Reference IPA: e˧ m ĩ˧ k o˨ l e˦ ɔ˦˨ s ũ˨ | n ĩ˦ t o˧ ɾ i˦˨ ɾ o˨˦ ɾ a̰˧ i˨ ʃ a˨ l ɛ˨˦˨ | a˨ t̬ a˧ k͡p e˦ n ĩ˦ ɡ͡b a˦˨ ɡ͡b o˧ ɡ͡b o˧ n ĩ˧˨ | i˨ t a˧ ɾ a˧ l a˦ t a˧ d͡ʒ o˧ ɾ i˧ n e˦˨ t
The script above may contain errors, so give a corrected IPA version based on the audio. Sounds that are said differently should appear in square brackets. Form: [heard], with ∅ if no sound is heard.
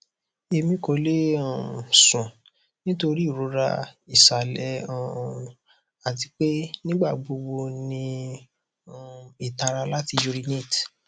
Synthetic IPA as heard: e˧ m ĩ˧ k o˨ l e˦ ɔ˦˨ s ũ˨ | n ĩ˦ t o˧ ɾ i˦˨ ɾ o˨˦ ɾ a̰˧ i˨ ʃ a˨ l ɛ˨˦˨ | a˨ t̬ [i˧] k͡p e˦ n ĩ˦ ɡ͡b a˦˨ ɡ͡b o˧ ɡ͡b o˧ n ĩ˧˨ | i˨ t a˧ ɾ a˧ l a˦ t [i˧] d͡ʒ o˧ ɾ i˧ n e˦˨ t